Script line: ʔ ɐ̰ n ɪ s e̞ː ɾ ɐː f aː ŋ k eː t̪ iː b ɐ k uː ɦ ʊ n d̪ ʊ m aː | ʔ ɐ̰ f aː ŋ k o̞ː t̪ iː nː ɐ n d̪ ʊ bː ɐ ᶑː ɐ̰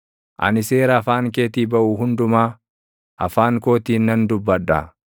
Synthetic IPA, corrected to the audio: ʔ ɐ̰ n ɪ s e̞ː ɾ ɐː f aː ŋ k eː t̪ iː b ɐ ʔ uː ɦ ʊ n d̪ ʊ m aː | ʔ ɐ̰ f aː ŋ k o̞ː t̪ iː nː ɐ n d̪ ʊ bː ɐ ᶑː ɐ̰

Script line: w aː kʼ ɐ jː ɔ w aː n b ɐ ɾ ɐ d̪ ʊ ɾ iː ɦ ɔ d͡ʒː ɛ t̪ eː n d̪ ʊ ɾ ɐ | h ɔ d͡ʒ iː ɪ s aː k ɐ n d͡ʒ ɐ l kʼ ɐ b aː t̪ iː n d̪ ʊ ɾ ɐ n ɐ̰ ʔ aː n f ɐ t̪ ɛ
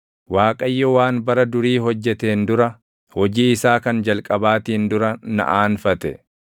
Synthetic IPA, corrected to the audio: w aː kʼ ɐ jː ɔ w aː n b ɐ ɾ ɐ d̪ ʊ ɾ iː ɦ ɔ d͡ʒː ɛ t̪ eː n d̪ ʊ ɾ ɐ | h ɔ d͡ʒ iː ɪ s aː k ɐ n d͡ʒ ɐ l kʼ ɐ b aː t̪ iː n d̪ ʊ ɾ ɐ n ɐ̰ ʔ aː n f ɐ t̪ ɛ

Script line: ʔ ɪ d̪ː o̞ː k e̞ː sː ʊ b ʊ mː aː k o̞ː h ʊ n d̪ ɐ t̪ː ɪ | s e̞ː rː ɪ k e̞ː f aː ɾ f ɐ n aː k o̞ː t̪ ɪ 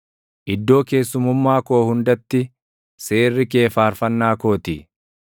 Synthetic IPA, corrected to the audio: ʔ ɪ d̪ː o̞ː k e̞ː sː ʊ m ʊ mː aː k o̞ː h ʊ n d̪ ɐ t̪ː ɪ | s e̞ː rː ɪ k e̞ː f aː ɾ f ɐ nː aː k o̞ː t̪ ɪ

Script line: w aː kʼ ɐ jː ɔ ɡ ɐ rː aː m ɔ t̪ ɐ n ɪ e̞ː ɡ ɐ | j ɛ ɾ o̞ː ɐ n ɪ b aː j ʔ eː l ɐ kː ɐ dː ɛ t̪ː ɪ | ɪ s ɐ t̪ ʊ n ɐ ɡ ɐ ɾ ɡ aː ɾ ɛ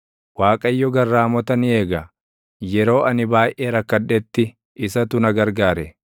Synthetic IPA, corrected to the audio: w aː kʼ ɐ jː ɔ ɡ ɐ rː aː m ɔ t̪ ɐ n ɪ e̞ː ɡ ɐ | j ɛ ɾ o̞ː ɐ n ɪ b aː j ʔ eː ɾ ɐ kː ɐ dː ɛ t̪ː ɪ | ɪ s ɐ t̪ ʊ n ɐ ɡ ɐ ɾ ɡ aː ɾ ɛ

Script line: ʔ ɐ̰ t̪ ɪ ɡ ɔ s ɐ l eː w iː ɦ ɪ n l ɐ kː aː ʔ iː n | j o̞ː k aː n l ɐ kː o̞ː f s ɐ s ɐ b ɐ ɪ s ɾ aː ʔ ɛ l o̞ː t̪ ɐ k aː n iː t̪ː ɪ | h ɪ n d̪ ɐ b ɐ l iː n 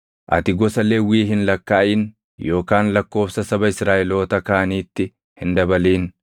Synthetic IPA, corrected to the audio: ʔ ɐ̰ t̪ ɪ ɡ ɔ s ɐ l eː w iː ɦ ɪ n l ɐ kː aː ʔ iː n | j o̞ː k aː n l ɐ kː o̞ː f s ɐ s ɐ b ɐ ɪ s ɾ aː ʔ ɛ l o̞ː t̪ ɐ k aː n iː t̪ː ɪ | h ɪ n d̪ ɐ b ɐ l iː n

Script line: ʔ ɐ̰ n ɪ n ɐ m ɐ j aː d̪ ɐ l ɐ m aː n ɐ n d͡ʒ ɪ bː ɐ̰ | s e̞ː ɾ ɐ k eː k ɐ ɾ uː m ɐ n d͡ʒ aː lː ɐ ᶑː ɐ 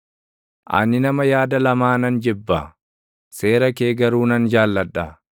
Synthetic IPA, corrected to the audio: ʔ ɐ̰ n ɪ n ɐ m ɐ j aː d̪ ɐ l ɐ m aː n ɐ n d͡ʒ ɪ bː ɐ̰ | s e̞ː ɾ ɐ k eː ɡ ɐ ɾ uː n ɐ n d͡ʒ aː lː ɐ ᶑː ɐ

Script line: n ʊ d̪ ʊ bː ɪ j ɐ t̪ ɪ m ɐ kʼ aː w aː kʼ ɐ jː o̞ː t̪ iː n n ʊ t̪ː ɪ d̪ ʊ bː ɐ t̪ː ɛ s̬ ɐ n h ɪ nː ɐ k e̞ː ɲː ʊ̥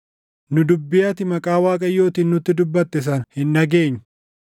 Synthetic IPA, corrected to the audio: n ʊ d̪ ʊ bː ɪ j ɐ t̪ ɪ m ɐ kʼ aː w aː kʼ ɐ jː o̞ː t̪ iː n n ʊ t̪ː ɪ d̪ ʊ bː ɐ t̪ː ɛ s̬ ɐ n h ɪ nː ɐ ɡ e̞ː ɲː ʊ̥

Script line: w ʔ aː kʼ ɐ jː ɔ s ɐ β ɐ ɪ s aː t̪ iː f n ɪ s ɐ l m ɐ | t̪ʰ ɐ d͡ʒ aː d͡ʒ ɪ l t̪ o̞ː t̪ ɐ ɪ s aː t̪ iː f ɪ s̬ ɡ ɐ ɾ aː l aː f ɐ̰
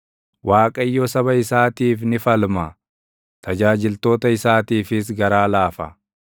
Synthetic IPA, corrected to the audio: w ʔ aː kʼ ɐ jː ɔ s ɐ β ɐ ɪ s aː t̪ iː f n ɪ f ɐ l m ɐ | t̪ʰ ɐ d͡ʒ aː d͡ʒ ɪ l t̪ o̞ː t̪ ɐ ɪ s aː t̪ iː f ɪ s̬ ɡ ɐ ɾ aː l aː f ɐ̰

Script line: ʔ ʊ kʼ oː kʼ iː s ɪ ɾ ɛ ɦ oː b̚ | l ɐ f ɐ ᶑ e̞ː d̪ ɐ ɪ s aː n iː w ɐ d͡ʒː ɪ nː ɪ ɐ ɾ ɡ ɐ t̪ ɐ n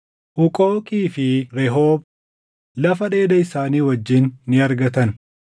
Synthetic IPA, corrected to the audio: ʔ ʊ kʼ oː kʼ iː f ɪ ɾ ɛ ɦ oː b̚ | l ɐ f ɐ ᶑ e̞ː d̪ ɐ ɪ s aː n iː w ɐ d͡ʒː ɪ nː ɪ ɐ ɾ ɡ ɐ t̪ ɐ n

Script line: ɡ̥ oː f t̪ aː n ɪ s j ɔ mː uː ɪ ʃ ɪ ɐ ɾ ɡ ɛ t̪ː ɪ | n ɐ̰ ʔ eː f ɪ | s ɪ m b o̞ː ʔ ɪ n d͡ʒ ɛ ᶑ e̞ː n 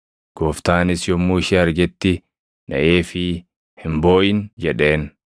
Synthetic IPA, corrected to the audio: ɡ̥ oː f t̪ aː n ɪ s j ɔ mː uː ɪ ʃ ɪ ɐ ɾ ɡ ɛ t̪ː ɪ | n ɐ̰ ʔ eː f ɪ | h ɪ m b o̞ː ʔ ɪ n d͡ʒ ɛ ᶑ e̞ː n

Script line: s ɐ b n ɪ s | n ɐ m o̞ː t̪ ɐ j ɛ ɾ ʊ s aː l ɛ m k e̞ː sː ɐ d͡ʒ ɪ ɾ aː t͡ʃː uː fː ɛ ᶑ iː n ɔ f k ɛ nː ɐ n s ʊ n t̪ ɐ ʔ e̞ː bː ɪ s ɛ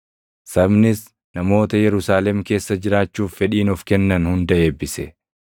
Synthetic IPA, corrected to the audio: s ɐ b n ɪ s | n ɐ m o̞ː t̪ ɐ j ɛ ɾ ʊ s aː l ɛ m k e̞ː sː ɐ d͡ʒ ɪ ɾ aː t͡ʃː uː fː ɛ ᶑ iː n ɔ f k ɛ nː ɐ n h ʊ n d̪ ɐ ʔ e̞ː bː ɪ s ɛ

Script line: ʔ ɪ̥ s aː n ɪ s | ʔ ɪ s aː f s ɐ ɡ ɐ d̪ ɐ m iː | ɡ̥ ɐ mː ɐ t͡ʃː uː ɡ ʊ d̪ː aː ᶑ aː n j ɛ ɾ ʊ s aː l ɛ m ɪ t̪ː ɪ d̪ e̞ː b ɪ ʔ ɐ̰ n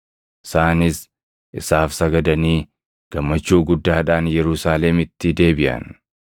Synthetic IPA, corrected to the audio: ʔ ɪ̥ s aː n ɪ s | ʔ ɪ s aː f s ɐ ɡ ɐ d̪ ɐ n iː | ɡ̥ ɐ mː ɐ t͡ʃː uː ɡ ʊ d̪ː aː ᶑ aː n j ɛ ɾ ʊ s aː l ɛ m ɪ t̪ː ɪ d̪ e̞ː b ɪ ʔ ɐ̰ n

